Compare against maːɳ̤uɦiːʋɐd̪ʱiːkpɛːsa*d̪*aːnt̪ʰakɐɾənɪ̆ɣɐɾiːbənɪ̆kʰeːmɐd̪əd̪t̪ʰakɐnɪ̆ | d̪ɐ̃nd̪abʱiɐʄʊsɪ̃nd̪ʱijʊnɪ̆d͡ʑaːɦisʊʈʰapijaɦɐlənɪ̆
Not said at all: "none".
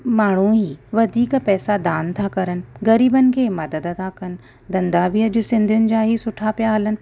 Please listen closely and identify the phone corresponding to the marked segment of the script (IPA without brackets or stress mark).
d̪